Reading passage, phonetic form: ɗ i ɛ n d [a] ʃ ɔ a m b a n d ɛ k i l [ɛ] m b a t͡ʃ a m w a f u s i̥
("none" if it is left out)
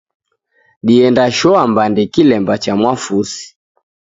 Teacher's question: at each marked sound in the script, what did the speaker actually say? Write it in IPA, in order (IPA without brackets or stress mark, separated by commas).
a, ɛ